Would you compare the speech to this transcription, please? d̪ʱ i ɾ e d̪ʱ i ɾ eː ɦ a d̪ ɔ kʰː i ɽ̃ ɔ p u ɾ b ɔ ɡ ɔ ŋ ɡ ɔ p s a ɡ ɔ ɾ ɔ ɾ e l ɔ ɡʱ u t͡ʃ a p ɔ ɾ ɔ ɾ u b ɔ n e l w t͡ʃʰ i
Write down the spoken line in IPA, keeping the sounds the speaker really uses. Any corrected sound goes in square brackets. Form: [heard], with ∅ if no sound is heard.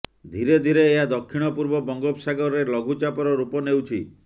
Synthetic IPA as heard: d̪ʱ i ɾ e d̪ʱ i ɾ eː ɦ a d̪ ɔ kʰː i ɽ̃ ɔ p u ɾ b ɔ [b] ɔ ŋ ɡ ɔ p s a ɡ ɔ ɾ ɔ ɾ e l ɔ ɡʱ u t͡ʃ a p ɔ ɾ ɔ ɾ u [p] ɔ n e [∅] w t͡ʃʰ i